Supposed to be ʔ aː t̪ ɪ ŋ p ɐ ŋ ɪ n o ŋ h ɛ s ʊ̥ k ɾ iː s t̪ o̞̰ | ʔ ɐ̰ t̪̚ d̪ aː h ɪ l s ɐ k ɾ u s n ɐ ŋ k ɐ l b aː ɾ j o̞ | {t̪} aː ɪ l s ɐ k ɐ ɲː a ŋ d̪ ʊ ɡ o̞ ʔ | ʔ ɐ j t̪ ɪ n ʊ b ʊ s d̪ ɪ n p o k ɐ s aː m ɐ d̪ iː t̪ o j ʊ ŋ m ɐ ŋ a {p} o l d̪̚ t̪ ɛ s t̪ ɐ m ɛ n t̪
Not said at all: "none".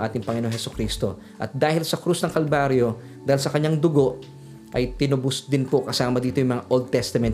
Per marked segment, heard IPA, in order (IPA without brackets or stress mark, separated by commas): d̪, ʔ